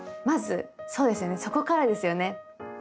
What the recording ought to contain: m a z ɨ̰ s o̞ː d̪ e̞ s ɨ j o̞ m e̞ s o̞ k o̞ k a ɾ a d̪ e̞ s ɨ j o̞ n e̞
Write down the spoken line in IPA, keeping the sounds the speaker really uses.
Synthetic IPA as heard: m a z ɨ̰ s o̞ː d̪ e̞ s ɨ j o̞ n e̞ s o̞ k o̞ k a ɾ a d̪ e̞ s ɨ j o̞ n e̞